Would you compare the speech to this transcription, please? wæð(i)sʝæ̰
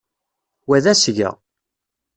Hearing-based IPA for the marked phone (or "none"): æ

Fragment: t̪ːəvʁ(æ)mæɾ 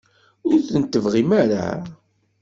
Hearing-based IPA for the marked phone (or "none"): i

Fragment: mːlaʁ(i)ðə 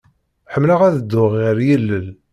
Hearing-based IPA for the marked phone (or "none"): æ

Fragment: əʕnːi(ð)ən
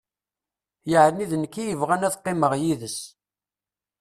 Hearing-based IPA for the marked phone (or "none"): ð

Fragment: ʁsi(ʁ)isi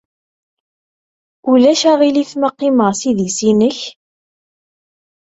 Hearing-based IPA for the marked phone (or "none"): ð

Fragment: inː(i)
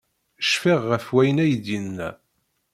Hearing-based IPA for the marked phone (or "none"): æ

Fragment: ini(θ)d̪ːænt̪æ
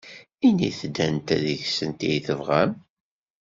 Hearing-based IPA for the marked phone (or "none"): θ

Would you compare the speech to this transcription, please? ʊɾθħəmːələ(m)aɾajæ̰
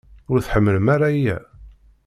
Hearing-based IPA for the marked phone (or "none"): m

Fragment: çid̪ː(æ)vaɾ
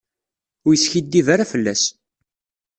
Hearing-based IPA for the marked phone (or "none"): i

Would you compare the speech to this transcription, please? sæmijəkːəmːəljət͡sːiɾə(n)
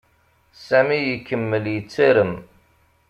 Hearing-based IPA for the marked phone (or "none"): m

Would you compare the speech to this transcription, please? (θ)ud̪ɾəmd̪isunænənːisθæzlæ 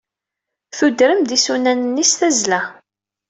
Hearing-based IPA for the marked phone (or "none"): θ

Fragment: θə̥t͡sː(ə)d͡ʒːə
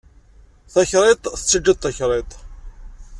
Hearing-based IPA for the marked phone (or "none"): ə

